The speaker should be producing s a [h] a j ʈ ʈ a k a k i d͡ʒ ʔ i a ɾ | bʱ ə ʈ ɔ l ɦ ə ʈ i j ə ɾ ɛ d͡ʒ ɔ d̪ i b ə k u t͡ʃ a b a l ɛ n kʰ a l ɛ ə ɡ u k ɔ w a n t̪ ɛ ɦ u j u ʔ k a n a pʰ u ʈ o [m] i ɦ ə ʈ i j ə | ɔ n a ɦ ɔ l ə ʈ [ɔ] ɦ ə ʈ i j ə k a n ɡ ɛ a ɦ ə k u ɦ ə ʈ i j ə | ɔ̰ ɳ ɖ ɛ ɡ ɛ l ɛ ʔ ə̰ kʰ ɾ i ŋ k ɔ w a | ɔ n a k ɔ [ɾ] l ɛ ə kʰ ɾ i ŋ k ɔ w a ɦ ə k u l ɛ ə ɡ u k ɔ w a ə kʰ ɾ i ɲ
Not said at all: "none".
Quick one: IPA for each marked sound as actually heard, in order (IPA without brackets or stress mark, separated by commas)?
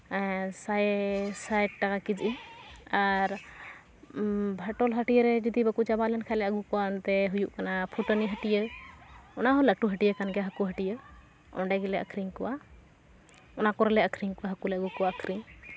s, n, u, ɾ